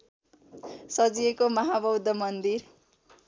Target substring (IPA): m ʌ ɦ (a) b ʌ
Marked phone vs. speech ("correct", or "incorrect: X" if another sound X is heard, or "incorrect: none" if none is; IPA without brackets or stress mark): correct